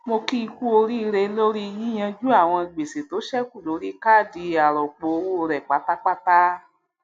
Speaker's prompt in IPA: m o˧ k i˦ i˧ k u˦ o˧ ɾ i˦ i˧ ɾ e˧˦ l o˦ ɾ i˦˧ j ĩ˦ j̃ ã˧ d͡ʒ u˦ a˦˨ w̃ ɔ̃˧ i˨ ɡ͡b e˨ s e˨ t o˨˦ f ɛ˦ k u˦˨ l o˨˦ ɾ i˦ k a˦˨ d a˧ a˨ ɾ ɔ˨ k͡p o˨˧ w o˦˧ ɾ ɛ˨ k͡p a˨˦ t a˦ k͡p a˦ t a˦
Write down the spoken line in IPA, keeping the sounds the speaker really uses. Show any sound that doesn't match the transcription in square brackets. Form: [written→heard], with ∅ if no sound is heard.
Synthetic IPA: m o˧ k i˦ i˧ k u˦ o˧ ɾ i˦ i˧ ɾ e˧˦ l o˦ ɾ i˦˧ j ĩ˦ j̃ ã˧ d͡ʒ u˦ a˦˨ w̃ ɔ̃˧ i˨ ɡ͡b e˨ s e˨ t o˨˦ [f→ʃ] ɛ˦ k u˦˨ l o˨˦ ɾ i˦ k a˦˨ d [a˧→i˧] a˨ ɾ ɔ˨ k͡p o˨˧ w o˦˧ ɾ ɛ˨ k͡p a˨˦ t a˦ k͡p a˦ t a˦